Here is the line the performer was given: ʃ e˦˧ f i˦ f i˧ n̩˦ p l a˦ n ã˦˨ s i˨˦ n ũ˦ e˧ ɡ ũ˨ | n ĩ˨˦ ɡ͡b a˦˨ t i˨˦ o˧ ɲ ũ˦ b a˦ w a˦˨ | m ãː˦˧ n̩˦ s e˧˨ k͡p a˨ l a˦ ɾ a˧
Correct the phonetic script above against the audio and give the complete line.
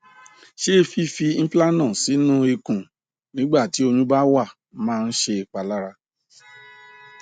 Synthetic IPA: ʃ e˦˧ f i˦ f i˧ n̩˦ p l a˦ n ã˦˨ s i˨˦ n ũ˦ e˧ k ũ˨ | n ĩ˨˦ ɡ͡b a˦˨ t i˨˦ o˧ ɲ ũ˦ b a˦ w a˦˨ | m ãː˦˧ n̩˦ ʃ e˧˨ k͡p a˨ l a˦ ɾ a˧